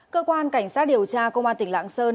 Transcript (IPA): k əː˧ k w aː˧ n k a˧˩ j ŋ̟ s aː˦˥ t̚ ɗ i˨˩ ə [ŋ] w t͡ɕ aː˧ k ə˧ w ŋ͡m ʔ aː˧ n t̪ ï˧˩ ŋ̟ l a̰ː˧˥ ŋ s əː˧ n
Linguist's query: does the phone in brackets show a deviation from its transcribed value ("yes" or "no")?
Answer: yes